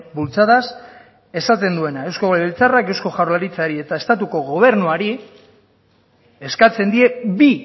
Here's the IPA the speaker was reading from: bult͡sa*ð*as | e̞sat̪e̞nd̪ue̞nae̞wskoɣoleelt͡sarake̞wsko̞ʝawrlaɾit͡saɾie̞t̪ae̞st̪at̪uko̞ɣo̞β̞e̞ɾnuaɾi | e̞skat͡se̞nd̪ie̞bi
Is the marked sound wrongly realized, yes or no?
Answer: no